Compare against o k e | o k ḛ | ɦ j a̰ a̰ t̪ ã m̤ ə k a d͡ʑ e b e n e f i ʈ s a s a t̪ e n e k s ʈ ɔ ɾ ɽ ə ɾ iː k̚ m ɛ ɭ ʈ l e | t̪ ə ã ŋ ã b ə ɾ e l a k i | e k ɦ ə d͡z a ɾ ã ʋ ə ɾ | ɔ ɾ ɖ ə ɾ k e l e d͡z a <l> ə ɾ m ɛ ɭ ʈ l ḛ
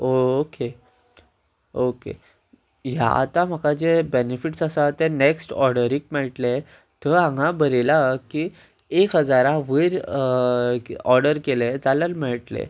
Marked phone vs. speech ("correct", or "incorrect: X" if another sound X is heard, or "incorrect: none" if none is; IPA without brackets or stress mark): correct